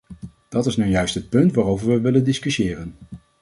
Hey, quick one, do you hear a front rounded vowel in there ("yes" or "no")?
yes